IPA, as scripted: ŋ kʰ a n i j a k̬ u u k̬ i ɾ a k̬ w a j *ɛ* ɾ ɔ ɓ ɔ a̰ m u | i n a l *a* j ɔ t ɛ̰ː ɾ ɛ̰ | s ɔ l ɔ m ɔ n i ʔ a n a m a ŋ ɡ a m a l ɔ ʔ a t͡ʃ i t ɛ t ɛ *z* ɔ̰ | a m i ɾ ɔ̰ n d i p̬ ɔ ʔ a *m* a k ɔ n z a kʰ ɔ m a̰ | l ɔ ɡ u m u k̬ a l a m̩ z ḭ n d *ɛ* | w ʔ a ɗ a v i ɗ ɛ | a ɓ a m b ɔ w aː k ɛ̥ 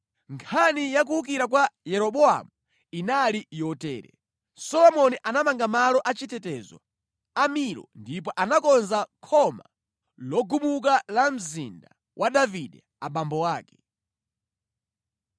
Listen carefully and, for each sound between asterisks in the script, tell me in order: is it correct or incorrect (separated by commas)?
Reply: correct, incorrect, correct, incorrect, incorrect